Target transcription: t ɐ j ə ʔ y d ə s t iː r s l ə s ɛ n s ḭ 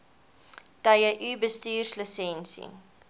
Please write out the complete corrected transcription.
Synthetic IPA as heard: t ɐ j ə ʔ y b ə s t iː r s l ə s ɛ n s ḭ